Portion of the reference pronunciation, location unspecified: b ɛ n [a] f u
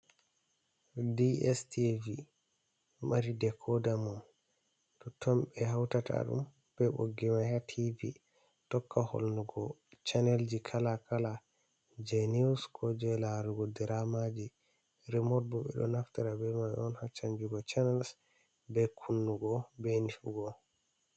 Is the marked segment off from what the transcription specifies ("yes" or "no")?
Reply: yes